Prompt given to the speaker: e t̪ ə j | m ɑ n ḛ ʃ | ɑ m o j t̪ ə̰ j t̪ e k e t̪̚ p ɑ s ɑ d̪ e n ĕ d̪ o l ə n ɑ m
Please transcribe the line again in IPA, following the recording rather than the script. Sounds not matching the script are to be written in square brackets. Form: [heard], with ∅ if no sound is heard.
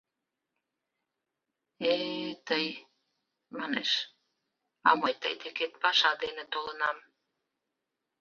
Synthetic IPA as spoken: e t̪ ə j | m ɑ n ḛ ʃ | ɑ m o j t̪ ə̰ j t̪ e k e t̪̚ p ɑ [ʃ] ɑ d̪ e n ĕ [t̪] o l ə n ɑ m